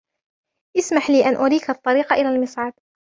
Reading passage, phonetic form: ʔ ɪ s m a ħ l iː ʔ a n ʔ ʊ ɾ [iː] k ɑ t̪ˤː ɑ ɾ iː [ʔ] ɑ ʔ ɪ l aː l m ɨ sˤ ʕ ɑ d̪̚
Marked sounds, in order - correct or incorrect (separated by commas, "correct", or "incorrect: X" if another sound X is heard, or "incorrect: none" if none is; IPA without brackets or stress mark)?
correct, incorrect: q